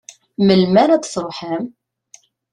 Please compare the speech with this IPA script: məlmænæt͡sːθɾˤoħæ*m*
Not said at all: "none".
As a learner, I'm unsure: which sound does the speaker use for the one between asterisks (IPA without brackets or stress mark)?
m